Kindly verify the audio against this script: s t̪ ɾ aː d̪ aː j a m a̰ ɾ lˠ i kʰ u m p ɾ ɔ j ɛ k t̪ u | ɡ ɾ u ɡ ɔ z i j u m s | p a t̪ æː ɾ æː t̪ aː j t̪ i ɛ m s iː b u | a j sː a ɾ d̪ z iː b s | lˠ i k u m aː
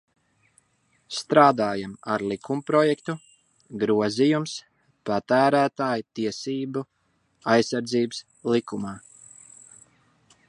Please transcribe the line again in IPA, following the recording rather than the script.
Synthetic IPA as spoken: s t̪ ɾ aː d̪ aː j a m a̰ ɾ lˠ i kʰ u m p ɾ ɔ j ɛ k t̪ u | ɡ ɾ u ɔ z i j u m s | p a t̪ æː ɾ æː t̪ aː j t̪ i ɛ s iː b u | a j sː a ɾ d̪ z iː b s | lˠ i k u m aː